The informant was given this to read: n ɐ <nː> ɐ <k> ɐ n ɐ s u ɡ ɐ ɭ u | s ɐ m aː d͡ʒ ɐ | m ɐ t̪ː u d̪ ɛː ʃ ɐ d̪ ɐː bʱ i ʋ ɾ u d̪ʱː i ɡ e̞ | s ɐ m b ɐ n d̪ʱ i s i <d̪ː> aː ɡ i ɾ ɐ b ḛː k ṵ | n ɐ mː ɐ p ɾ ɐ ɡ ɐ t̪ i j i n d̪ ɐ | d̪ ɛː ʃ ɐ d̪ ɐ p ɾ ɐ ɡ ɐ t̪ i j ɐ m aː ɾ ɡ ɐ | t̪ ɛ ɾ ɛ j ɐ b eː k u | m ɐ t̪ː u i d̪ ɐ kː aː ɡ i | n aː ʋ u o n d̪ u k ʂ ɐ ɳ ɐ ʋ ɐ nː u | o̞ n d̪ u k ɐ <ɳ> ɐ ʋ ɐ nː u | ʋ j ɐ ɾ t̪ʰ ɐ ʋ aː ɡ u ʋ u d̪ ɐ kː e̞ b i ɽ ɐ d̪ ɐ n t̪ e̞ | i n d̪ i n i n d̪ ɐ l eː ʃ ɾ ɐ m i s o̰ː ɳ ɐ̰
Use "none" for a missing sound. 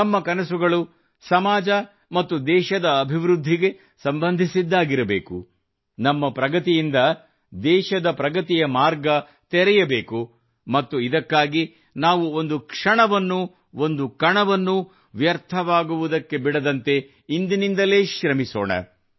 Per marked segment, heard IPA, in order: mː, k, d̪ː, ɳ

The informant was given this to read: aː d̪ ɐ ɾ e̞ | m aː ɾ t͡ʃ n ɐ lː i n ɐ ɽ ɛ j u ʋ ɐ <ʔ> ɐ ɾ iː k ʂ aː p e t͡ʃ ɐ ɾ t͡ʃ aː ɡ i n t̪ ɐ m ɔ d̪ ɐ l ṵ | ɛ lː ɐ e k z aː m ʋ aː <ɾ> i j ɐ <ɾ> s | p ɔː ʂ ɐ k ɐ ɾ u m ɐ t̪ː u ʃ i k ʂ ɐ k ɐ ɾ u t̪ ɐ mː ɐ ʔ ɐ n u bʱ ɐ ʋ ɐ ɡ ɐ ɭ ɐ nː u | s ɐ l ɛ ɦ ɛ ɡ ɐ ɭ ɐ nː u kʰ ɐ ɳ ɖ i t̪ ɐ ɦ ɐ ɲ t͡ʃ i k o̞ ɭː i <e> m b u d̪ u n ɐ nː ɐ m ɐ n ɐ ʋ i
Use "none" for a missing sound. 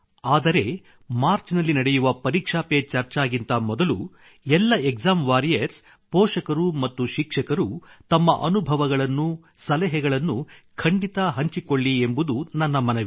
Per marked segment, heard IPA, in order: p, ɾ, ɾ, e

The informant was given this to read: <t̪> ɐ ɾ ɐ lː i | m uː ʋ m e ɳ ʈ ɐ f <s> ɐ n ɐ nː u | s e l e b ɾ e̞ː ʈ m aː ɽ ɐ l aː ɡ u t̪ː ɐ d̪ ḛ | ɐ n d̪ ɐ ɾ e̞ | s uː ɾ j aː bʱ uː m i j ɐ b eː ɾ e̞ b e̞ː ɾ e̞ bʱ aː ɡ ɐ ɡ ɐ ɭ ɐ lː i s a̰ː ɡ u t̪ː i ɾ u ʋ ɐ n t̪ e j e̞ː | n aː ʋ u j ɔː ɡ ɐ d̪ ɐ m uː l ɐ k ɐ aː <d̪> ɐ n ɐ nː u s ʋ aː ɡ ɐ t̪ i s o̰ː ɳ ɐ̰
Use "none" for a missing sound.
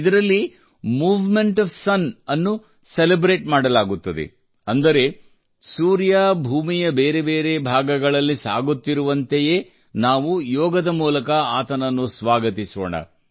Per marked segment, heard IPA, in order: d̪, s, t̪

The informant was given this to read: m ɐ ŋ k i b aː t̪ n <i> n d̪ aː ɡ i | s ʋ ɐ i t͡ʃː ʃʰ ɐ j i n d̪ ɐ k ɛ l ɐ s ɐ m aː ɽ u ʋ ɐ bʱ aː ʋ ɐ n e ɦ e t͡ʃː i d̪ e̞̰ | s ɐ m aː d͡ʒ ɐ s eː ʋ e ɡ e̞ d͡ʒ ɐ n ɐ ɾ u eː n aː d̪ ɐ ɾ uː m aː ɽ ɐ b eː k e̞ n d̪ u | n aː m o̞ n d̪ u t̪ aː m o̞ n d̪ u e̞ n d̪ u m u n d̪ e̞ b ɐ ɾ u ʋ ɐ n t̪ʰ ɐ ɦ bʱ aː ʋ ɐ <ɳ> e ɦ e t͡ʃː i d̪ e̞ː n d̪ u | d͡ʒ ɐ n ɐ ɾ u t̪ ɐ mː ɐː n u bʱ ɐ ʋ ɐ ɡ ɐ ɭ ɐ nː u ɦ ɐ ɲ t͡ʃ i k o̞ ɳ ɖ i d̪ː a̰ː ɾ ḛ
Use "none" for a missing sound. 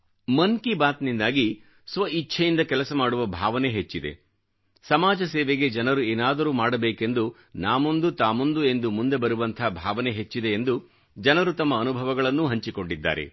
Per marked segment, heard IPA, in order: i, n

